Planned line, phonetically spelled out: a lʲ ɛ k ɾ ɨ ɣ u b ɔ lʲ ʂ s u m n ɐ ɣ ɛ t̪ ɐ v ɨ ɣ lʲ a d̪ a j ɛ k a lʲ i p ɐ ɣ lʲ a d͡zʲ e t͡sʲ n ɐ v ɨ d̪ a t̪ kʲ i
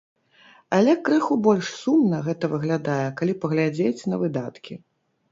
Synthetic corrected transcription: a lʲ ɛ k ɾ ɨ x u b ɔ lʲ ʂ s u m n ɐ ɣ ɛ t̪ ɐ v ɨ ɣ lʲ a d̪ a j ɛ k a lʲ i p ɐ ɣ lʲ a d͡zʲ e t͡sʲ n ɐ v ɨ d̪ a t̪ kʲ i